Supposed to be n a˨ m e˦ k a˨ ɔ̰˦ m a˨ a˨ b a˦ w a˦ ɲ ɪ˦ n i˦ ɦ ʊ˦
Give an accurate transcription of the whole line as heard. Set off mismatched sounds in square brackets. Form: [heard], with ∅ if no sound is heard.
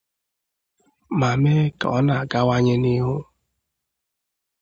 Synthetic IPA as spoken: [m] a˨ m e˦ k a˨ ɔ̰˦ [n] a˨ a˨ [ɡ] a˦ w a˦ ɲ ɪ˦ n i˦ ɦ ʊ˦